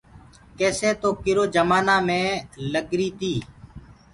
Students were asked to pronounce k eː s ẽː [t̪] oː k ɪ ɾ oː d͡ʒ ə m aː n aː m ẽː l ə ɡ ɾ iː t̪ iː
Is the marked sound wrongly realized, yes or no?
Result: no